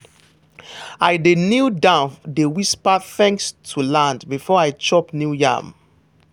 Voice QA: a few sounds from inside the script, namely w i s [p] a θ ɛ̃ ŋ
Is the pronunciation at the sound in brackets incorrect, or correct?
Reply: correct